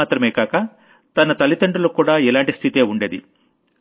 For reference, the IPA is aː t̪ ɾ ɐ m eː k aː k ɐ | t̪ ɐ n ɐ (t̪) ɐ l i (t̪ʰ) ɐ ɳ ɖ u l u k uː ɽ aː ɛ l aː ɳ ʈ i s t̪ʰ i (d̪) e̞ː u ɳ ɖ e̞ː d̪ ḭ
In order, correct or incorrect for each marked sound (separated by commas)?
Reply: correct, incorrect, incorrect